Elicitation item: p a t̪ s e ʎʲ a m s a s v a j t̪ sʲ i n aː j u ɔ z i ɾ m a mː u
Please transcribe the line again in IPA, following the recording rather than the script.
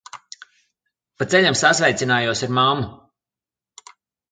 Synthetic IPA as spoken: p a t̪ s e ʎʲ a m s a s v ɛ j t̪ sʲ i n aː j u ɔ s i ɾ m a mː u